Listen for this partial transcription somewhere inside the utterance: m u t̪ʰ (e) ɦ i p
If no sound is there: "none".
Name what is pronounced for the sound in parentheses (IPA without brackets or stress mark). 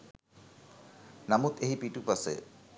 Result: e